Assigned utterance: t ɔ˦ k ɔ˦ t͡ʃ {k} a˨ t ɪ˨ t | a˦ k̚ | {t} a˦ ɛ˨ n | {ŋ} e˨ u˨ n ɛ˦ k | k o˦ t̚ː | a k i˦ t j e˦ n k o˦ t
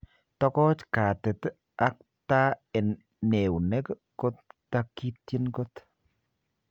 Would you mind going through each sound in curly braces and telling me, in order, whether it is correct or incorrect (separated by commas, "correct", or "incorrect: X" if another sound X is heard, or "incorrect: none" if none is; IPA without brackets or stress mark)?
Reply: correct, correct, incorrect: n